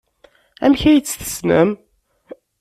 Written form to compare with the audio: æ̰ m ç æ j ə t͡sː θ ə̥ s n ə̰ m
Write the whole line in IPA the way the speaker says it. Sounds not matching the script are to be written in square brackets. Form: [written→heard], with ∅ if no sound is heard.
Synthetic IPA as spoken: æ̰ m ç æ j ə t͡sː θ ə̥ s n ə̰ m

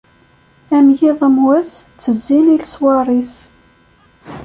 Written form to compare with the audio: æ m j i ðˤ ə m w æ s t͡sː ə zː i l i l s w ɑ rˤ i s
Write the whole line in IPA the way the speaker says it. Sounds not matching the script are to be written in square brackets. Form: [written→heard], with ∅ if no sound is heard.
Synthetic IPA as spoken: æ m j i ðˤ ə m w æ s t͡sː ə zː i l i l s w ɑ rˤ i s

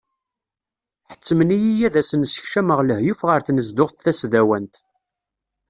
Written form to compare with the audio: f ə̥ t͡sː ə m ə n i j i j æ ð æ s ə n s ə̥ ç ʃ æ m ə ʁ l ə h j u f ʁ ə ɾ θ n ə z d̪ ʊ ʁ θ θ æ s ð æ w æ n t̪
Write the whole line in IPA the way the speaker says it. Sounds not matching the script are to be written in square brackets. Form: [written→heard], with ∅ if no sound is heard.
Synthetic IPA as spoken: [f→ħ] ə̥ t͡sː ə m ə n i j i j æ ð æ s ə n s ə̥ ç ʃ æ m ə ʁ l ə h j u f ʁ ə ɾ θ n ə z d̪ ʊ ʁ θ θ æ s ð æ w æ n t̪

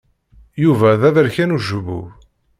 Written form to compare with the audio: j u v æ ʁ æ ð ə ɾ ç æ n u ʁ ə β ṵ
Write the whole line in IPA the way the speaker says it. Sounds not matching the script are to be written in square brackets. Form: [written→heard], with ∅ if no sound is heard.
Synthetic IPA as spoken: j u v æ [ʁ→ð] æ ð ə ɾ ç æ n u [ʁ→ʒ] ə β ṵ

